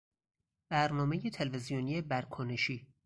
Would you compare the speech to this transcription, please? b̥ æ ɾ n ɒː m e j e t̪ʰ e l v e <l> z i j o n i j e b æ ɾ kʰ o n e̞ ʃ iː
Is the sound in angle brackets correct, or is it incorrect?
incorrect